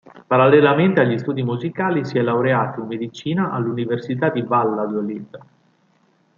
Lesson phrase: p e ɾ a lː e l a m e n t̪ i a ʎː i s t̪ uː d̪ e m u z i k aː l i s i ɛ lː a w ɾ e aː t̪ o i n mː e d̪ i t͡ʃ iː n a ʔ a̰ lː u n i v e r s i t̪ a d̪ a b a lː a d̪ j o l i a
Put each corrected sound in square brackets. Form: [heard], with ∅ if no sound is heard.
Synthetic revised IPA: p [a] ɾ a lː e l a m e n t̪ [e] a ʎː i s t̪ uː d̪ [i] m u z i k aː l i s i ɛ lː a w ɾ e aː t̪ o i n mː e d̪ i t͡ʃ iː n a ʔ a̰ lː u n i v e r s i t̪ a d̪ [i] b a lː a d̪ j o l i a